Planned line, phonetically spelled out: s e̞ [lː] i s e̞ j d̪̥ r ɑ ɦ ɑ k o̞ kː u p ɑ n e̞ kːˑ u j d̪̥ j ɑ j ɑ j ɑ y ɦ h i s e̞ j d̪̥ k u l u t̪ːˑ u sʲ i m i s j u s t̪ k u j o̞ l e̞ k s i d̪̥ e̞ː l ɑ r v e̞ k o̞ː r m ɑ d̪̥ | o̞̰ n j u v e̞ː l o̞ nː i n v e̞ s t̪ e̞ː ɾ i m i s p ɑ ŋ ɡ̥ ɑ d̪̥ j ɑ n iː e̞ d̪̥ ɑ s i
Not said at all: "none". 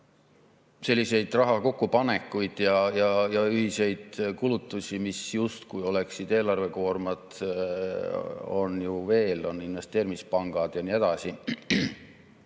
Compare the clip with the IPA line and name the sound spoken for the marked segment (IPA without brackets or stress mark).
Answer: lː